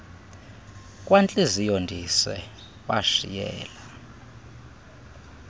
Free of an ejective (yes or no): no